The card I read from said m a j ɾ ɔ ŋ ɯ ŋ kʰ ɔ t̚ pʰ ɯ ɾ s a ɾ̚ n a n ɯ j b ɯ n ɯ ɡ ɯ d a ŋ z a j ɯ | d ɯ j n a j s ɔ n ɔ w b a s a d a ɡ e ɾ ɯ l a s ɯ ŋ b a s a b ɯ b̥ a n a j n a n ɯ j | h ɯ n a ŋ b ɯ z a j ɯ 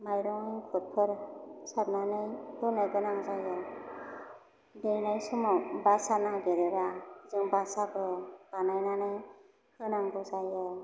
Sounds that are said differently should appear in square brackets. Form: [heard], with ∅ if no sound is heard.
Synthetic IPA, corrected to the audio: m a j ɾ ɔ ŋ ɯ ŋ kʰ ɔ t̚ pʰ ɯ ɾ s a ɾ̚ n a n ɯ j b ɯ n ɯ ɡ ɯ [n] a ŋ z a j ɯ | d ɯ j n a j s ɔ [m] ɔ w b a s a [n] a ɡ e ɾ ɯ [ɾ] a [z] ɯ ŋ b a s a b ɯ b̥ a n a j n a n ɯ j | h ɯ n a ŋ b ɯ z a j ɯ